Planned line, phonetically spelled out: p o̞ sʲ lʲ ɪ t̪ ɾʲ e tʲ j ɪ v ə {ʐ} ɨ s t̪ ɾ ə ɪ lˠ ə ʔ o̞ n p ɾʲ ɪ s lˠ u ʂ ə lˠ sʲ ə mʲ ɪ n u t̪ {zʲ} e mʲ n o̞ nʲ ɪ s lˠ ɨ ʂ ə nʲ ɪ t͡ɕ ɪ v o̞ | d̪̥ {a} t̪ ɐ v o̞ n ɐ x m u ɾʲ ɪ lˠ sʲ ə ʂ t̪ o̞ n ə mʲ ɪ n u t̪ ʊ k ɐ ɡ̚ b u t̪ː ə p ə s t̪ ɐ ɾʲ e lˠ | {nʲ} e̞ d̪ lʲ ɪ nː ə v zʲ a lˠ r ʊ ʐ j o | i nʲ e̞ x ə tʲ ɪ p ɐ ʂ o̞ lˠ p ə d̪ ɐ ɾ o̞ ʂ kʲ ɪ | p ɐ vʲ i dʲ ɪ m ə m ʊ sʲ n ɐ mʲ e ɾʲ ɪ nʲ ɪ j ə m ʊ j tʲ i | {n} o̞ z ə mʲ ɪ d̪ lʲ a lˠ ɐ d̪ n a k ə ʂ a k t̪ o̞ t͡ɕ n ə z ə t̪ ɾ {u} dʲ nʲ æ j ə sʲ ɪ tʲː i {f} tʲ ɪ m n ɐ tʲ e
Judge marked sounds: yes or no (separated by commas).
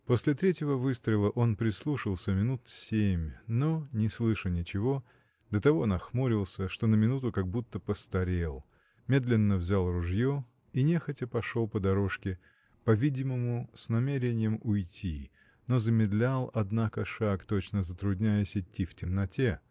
no, no, no, no, yes, no, yes